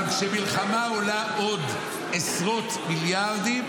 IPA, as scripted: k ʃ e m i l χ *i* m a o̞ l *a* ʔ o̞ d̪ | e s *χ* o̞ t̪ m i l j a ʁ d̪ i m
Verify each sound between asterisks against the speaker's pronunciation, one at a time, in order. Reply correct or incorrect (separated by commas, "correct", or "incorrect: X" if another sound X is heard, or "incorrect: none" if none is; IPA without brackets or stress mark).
incorrect: a, correct, incorrect: ʁ